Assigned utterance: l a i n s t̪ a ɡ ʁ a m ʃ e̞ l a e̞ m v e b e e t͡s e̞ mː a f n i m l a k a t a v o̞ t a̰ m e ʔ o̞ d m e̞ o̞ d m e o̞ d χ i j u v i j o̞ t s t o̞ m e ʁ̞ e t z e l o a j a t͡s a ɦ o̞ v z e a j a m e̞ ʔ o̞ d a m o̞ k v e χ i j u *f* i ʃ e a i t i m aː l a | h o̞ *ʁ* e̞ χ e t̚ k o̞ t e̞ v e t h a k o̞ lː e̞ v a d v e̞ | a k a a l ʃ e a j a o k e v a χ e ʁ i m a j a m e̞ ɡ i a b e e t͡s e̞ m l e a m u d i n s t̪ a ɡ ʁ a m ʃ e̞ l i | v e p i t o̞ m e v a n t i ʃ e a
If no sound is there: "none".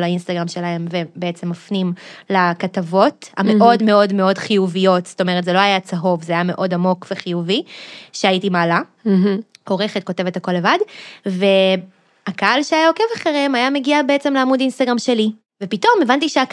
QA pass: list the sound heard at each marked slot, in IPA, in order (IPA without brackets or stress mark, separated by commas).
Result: v, ʁ